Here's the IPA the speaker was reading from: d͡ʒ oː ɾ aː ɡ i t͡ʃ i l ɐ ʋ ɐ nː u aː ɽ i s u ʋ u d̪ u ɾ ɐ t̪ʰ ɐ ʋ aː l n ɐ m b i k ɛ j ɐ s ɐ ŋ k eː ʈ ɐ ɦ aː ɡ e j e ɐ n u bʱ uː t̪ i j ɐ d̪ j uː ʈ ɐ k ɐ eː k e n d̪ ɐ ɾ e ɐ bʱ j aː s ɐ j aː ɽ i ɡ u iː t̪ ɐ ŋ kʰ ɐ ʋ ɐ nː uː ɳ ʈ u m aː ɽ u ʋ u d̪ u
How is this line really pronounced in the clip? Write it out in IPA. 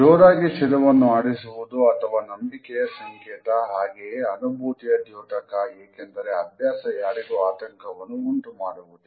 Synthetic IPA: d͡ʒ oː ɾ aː ɡ i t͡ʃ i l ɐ ʋ ɐ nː u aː ɽ i s u ʋ u d̪ u ɐ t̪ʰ ɐ ʋ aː n ɐ m b i k ɛ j ɐ s ɐ ŋ k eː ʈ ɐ ɦ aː ɡ e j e ɐ n u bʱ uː t̪ i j ɐ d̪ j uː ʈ ɐ k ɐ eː k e n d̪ ɐ ɾ e ɐ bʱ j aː s ɐ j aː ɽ i ɡ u aː t̪ ɐ ŋ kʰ ɐ ʋ ɐ nː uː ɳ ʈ u m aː ɽ u ʋ u d̪ u